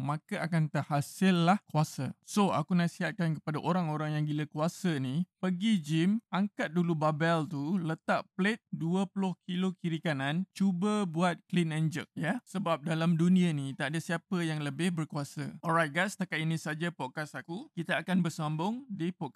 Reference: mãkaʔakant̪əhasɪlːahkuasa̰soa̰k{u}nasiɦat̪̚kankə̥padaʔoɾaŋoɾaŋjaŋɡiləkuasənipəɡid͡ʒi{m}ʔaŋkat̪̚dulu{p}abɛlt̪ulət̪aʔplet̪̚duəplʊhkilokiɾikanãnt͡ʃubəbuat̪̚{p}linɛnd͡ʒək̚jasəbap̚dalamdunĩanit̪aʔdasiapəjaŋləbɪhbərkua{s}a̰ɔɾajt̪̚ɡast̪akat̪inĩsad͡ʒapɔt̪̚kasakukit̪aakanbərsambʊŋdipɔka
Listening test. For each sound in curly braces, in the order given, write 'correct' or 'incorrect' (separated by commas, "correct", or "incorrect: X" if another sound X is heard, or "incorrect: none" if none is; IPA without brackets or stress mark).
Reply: correct, correct, incorrect: b, incorrect: k, correct